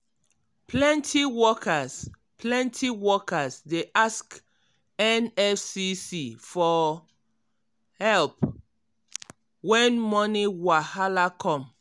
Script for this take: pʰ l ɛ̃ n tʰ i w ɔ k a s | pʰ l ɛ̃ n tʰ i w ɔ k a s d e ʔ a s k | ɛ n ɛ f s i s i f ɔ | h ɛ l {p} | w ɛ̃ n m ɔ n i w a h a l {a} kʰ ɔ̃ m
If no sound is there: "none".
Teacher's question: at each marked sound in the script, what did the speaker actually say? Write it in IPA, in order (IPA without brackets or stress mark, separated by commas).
p, a